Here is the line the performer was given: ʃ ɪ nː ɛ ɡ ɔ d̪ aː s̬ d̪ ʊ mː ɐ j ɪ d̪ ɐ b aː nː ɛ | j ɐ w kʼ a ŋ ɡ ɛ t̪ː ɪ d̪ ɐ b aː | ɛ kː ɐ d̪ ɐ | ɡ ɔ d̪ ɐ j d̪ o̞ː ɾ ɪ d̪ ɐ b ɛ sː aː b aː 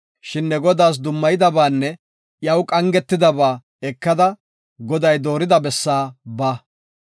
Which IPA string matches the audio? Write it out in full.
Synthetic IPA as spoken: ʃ ɪ nː ɛ ɡ ɔ d̪ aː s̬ d̪ ʊ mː ɐ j ɪ d̪ ɐ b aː nː ɛ | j ɐ w kʼ ɐ ŋ ɡ ɛ t̪ː ɪ d̪ ɐ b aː | ɛ kː ɐ d̪ ɐ | ɡ ɔ d̪ ɐ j d̪ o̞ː ɾ ɪ d̪ ɐ b ɛ sː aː b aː